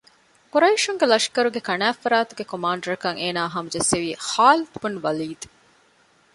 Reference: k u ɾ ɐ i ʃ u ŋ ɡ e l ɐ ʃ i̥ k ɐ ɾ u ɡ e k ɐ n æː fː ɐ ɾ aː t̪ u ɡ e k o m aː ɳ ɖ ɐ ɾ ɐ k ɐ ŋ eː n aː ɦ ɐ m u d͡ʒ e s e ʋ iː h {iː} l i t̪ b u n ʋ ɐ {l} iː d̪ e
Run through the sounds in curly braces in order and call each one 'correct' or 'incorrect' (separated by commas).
incorrect, correct